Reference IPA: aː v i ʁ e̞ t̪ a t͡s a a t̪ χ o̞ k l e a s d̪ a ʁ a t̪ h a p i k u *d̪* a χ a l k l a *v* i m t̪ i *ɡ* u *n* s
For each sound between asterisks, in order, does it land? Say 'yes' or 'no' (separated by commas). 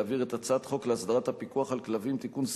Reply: no, yes, no, yes